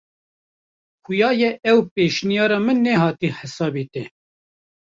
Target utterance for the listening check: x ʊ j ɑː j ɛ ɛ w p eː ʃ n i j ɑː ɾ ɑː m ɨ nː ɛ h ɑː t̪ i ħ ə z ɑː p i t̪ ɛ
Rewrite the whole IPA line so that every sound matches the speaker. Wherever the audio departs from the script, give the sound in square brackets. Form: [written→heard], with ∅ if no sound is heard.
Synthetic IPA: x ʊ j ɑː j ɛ ɛ w p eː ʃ n i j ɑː ɾ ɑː m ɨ nː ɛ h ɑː t̪ i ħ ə [z→s] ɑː [p→b] i t̪ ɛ